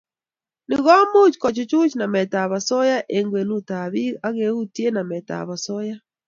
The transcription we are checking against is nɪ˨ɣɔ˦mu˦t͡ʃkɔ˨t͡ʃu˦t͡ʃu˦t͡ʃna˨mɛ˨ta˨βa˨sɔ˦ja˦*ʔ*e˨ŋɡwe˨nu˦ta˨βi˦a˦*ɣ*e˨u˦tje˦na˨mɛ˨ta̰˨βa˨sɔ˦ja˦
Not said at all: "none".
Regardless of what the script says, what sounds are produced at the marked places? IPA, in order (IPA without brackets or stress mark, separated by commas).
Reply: ʔ, ɣ